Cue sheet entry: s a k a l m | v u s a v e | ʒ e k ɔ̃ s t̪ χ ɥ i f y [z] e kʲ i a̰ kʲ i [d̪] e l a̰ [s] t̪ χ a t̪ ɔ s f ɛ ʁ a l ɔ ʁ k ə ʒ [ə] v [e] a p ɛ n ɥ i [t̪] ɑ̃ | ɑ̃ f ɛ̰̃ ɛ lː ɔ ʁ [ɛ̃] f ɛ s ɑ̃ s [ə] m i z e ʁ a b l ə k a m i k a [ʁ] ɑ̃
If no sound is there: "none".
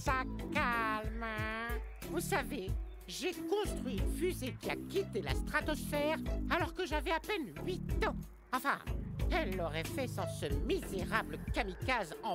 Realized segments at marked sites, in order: z, t̪, s, a, ɛ, t̪, ɛ, ə, z

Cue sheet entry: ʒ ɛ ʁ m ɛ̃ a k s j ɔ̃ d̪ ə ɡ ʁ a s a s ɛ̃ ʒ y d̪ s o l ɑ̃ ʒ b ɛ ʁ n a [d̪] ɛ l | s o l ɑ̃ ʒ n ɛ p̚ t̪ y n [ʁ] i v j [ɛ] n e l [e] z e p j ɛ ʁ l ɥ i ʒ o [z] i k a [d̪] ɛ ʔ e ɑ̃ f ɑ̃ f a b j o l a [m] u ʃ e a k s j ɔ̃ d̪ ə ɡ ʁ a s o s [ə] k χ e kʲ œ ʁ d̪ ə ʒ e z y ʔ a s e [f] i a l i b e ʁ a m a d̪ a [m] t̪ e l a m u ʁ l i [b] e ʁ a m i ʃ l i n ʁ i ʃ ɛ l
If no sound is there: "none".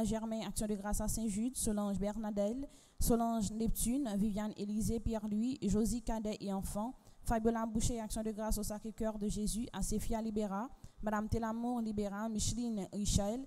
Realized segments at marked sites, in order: d̪, v, a, i, z, d̪, b, a, f, m, b

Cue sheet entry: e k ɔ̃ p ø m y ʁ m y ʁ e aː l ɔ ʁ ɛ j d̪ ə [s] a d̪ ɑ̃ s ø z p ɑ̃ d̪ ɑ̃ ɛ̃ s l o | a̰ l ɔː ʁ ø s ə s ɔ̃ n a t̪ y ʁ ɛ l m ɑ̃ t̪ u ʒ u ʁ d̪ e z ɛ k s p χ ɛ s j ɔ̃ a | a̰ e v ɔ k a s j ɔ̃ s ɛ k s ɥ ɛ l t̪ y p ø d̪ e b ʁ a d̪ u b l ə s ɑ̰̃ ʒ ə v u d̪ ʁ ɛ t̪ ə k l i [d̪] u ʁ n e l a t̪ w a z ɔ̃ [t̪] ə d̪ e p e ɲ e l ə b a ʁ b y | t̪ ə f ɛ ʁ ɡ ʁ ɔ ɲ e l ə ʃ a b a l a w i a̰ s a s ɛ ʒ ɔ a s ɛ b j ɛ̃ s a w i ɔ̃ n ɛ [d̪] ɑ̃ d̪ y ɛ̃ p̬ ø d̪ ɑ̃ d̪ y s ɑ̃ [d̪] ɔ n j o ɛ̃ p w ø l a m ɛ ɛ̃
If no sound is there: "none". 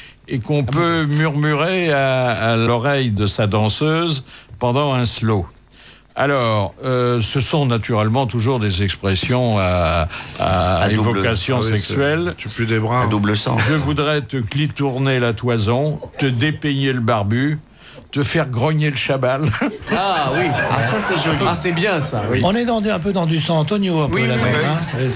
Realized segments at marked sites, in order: s, t̪, t̪, d̪, t̪

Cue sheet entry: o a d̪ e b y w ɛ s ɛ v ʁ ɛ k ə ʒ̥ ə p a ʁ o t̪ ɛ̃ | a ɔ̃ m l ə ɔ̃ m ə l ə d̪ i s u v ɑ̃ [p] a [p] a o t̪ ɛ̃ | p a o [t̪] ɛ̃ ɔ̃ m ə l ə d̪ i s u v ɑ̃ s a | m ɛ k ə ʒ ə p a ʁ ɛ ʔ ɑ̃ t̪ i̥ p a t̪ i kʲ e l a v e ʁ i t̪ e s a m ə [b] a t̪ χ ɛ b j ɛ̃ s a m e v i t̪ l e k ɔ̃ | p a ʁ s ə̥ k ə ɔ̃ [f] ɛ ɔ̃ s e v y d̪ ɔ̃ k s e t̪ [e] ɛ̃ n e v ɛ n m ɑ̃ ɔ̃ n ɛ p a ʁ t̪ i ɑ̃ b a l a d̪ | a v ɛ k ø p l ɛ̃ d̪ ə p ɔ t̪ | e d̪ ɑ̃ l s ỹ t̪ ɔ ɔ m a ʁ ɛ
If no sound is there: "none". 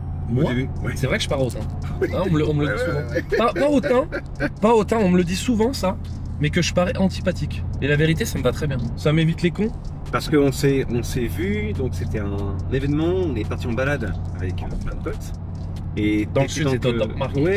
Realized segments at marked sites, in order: p, p, t̪, v, s, ɛ

